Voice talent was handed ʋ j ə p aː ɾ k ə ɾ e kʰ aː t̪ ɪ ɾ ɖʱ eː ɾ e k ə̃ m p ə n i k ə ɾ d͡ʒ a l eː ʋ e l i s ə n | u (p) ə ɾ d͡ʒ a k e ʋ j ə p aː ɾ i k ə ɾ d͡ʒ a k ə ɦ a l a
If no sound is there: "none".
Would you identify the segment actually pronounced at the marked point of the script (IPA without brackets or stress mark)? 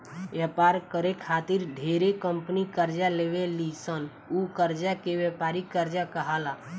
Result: k